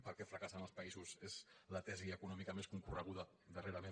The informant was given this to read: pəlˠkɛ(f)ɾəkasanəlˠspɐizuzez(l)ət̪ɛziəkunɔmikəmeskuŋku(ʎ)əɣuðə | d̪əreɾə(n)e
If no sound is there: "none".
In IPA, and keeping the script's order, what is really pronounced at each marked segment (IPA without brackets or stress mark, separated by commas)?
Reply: f, l, r, m